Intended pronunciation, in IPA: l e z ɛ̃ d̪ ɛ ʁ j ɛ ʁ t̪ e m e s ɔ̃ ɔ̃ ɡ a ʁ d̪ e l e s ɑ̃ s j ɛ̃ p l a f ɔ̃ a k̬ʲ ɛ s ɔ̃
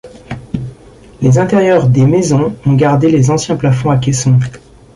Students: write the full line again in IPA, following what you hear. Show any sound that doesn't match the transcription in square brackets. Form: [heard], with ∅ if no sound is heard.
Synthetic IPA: l e z ɛ̃ [t̪] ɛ ʁ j [œ] ʁ [d̪] e m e [z] ɔ̃ ɔ̃ ɡ a ʁ d̪ e l e [z] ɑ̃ s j ɛ̃ p l a f ɔ̃ a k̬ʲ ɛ s ɔ̃